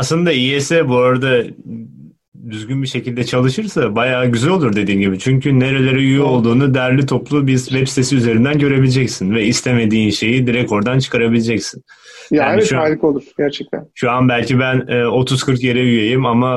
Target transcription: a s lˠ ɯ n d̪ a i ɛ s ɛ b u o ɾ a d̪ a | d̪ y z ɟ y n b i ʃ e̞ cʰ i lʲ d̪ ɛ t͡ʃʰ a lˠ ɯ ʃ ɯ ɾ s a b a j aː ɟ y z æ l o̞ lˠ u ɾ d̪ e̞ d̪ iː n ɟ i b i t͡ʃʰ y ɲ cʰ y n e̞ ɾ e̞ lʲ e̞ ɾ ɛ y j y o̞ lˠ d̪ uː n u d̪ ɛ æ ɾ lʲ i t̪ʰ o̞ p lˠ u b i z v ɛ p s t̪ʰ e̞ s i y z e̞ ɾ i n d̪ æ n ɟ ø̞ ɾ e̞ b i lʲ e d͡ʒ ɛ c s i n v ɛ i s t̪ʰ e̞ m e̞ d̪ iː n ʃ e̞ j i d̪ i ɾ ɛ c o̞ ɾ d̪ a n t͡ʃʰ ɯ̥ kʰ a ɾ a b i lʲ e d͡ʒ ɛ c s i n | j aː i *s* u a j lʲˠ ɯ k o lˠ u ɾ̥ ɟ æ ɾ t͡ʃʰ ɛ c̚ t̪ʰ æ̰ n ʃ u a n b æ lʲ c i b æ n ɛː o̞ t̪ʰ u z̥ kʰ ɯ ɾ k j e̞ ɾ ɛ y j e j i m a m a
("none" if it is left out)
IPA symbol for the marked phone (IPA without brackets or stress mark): ʃ